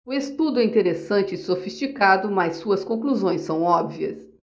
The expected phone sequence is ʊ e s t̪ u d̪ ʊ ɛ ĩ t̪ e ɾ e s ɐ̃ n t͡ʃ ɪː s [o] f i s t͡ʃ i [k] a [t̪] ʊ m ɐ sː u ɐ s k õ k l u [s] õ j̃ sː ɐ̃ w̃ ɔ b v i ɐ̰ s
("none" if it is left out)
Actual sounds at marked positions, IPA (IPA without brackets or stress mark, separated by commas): o, k, d̪, z